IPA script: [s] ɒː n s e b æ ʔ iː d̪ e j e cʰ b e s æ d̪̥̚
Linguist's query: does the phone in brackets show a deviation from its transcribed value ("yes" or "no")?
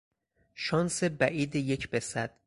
yes